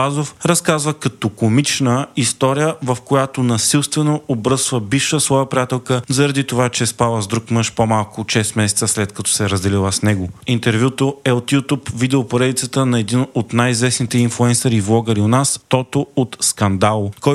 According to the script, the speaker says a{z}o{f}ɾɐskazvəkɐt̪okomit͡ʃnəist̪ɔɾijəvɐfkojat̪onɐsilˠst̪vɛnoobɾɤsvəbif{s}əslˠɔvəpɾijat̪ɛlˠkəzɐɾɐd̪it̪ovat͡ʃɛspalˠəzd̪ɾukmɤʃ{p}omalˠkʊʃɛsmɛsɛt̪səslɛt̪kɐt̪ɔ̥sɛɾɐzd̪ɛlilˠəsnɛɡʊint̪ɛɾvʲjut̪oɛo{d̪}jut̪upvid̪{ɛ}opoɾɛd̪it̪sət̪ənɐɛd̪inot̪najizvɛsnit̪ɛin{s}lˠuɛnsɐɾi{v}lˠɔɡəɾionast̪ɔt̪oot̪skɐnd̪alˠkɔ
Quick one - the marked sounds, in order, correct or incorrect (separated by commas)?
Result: correct, correct, incorrect, correct, incorrect, correct, incorrect, correct